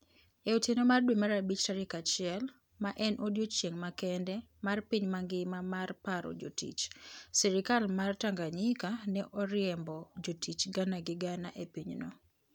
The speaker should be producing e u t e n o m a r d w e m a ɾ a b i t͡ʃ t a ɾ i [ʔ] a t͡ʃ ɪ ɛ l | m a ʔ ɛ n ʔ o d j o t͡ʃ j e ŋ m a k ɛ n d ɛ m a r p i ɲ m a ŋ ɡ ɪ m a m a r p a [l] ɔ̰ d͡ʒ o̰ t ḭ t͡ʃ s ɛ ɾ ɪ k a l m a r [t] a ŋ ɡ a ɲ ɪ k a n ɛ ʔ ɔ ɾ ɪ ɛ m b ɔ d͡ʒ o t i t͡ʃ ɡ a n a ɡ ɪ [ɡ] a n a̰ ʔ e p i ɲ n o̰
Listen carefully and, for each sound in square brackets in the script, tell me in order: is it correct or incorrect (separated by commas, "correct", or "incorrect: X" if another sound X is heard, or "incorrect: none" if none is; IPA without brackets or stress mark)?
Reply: incorrect: k, incorrect: ɾ, correct, correct